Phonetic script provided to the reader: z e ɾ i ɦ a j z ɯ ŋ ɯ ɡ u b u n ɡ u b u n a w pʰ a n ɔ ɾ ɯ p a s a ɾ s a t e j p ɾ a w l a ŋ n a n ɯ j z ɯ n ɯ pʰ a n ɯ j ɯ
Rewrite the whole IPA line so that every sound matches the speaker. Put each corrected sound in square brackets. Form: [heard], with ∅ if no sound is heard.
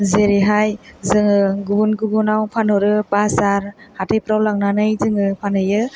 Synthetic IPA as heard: z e ɾ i ɦ a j z ɯ ŋ ɯ ɡ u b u n ɡ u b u n a w pʰ a n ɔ ɾ ɯ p a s a ɾ [h] a t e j p ɾ a w l a ŋ n a n ɯ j z ɯ [ŋ] ɯ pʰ a n ɯ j ɯ